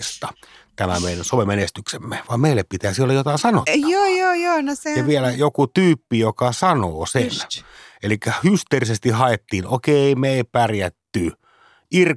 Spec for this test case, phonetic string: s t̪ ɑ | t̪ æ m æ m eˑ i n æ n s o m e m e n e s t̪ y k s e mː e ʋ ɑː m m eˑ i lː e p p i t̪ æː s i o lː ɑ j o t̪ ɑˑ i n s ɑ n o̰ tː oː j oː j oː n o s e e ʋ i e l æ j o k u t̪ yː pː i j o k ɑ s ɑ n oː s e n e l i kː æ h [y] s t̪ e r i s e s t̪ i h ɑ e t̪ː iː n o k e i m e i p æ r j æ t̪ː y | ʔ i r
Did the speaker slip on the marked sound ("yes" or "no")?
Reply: no